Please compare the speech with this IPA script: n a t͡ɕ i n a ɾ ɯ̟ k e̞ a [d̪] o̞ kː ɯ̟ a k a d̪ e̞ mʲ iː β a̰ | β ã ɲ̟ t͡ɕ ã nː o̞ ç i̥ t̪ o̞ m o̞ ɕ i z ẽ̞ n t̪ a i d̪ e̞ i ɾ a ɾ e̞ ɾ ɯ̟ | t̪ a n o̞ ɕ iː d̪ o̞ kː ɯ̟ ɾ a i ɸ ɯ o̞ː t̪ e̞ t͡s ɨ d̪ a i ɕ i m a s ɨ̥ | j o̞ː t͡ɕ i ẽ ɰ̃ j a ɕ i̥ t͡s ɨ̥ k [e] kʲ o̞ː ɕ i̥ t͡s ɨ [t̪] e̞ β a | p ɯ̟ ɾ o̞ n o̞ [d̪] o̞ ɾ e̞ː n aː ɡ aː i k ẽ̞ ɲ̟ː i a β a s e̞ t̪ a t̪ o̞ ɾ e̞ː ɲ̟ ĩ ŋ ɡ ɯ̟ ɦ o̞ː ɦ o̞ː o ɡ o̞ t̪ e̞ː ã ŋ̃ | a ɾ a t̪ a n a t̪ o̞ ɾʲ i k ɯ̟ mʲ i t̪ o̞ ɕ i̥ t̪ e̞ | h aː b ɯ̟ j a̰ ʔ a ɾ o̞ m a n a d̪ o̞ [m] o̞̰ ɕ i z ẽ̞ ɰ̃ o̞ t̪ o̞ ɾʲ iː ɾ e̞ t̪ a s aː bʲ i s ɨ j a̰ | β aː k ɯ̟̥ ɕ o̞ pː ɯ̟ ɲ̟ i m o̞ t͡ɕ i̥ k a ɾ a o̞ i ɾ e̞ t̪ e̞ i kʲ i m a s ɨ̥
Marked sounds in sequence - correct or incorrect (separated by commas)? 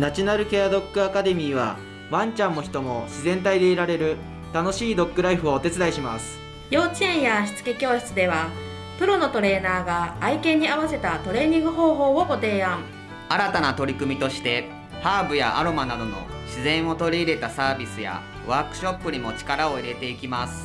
correct, correct, incorrect, incorrect, incorrect